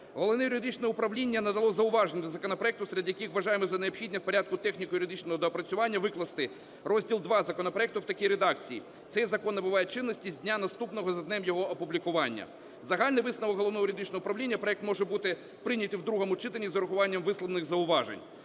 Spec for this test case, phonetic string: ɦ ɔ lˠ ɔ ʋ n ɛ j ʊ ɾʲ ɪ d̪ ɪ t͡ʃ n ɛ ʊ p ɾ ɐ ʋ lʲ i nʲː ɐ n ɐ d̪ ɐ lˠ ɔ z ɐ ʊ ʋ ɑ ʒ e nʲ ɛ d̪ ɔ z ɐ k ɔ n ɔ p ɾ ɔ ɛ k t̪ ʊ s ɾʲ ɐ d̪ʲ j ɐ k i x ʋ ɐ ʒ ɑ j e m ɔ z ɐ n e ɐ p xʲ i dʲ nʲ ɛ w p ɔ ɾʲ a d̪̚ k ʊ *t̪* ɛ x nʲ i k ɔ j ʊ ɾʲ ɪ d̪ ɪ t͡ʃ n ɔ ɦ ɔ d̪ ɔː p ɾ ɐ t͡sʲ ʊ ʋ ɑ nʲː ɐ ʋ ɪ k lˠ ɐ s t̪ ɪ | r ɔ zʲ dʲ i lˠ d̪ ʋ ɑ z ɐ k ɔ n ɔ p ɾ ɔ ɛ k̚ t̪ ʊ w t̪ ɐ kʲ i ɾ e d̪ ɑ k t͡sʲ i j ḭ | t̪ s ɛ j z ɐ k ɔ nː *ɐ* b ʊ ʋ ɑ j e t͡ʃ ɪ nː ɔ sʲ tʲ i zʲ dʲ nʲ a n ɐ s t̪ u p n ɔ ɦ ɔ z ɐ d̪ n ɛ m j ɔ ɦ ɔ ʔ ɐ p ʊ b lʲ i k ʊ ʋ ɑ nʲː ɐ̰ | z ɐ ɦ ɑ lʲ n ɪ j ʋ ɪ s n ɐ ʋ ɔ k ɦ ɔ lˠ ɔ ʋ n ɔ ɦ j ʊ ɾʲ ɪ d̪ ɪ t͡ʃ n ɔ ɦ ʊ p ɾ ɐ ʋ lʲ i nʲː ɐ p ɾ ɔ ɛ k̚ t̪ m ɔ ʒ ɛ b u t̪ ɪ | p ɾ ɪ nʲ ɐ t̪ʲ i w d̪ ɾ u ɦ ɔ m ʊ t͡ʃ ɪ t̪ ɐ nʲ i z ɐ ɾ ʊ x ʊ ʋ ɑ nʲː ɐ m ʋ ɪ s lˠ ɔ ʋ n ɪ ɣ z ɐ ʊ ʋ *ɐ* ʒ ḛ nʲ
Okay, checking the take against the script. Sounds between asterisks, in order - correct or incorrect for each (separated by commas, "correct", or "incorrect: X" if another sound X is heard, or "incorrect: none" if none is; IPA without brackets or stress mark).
correct, correct, incorrect: ɑ